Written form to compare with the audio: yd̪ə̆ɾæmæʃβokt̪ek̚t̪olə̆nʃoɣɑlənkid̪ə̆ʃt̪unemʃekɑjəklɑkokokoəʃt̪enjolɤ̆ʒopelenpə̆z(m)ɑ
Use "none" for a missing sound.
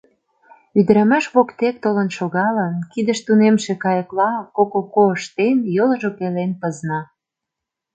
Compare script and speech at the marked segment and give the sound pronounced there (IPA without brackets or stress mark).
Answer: n